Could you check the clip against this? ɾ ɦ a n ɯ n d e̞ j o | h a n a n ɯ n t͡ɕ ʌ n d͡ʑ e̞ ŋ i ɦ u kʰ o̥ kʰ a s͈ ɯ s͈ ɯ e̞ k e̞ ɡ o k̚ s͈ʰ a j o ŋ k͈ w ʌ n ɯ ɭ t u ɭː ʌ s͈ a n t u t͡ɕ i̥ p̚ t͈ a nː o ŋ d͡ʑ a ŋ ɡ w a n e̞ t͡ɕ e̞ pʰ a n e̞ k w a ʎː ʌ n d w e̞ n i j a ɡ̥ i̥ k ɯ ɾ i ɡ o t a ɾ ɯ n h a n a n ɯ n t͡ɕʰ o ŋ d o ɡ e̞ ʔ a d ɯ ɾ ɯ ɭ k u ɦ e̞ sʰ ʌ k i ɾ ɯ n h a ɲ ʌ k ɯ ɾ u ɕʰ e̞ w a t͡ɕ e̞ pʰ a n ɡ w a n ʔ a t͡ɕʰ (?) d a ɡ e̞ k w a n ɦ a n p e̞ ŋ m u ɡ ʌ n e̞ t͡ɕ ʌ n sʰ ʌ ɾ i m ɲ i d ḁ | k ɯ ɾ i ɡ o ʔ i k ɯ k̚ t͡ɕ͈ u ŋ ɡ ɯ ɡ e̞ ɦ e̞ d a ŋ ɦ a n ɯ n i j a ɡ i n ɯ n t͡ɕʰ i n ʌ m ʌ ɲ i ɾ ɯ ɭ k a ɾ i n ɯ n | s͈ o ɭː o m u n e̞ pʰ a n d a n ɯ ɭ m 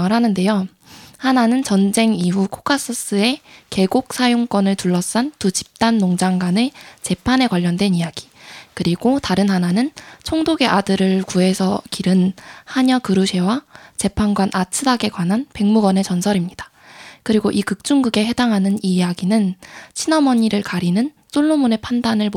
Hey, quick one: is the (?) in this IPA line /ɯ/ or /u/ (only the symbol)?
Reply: ɯ